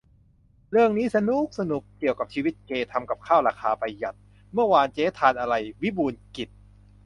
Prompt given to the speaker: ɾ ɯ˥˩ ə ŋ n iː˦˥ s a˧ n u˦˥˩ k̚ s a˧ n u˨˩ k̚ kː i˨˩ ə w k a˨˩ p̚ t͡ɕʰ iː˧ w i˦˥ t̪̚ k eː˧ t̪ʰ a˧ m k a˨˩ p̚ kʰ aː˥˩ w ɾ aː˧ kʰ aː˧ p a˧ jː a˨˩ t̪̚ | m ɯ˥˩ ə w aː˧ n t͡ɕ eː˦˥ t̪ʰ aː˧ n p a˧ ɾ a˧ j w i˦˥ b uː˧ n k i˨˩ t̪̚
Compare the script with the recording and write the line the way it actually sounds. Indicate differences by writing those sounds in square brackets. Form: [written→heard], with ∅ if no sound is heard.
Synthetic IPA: ɾ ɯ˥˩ ə ŋ n iː˦˥ s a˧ n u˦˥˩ k̚ s a˧ n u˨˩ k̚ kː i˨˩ ə w k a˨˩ p̚ t͡ɕʰ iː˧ w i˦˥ t̪̚ k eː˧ t̪ʰ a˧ m k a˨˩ p̚ kʰ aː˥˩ w ɾ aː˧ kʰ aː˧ p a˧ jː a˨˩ t̪̚ | m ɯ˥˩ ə w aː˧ n t͡ɕ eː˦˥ t̪ʰ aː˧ n [p→ʔ] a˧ ɾ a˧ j w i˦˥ b uː˧ n k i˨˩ t̪̚